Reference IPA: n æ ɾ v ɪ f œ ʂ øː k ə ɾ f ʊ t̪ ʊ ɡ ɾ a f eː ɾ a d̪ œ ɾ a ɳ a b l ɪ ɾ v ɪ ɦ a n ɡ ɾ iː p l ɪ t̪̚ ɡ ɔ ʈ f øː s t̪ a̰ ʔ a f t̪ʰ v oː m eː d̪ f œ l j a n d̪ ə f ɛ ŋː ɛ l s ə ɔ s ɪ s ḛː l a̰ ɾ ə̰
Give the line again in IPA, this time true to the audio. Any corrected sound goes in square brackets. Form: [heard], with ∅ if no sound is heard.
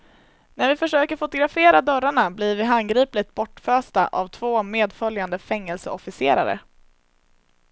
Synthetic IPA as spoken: n æ ɾ v ɪ f œ ʂ øː k ə ɾ f ʊ t̪ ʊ ɡ ɾ a f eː ɾ a d̪ œ ɾ a ɳ a b l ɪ ɾ v ɪ ɦ a n ɡ ɾ iː p l ɪ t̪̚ [b] ɔ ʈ f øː s t̪ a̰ ʔ a [v] t̪ʰ v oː m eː d̪ f œ l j a n d̪ ə f ɛ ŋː ɛ l s ə ɔ [f] ɪ s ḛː [ɾ] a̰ ɾ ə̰